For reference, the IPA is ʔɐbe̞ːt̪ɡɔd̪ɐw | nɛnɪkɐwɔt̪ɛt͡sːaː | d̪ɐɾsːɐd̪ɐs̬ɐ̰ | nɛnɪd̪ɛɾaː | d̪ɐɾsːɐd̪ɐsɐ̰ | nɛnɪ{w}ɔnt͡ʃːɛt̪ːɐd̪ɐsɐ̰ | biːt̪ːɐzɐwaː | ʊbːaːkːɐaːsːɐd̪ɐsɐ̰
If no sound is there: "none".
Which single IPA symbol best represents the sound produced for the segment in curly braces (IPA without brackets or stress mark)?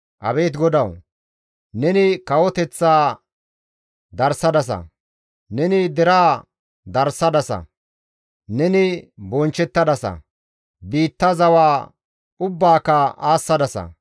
b